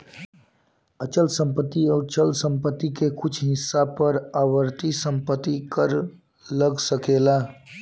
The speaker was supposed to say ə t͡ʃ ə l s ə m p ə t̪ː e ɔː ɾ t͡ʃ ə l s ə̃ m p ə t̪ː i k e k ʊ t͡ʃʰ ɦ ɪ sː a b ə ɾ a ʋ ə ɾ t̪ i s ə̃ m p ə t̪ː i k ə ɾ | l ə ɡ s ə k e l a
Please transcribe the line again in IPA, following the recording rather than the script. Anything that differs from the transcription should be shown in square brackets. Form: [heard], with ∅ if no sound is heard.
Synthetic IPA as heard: ə t͡ʃ ə l s ə m p ə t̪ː [i] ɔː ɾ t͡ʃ ə l s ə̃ m p ə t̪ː i k e k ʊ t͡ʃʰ ɦ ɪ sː a [p] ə ɾ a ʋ ə ɾ t̪ i s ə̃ m p ə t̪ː i k ə ɾ | l ə ɡ s ə k e l a